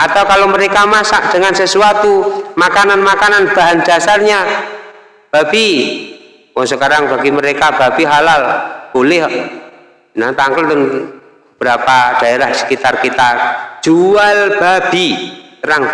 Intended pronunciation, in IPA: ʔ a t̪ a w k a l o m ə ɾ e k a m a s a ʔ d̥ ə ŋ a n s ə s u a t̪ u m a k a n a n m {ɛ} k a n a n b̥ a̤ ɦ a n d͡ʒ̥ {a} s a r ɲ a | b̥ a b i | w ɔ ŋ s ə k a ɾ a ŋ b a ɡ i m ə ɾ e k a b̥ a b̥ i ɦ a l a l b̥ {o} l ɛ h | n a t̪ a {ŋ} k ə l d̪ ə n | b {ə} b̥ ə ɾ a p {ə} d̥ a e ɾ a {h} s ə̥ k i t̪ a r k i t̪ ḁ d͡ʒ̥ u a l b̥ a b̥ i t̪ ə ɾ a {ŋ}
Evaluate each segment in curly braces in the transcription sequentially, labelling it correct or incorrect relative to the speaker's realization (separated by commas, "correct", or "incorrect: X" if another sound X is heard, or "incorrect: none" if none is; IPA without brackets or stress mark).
incorrect: a, correct, correct, correct, correct, incorrect: a, correct, correct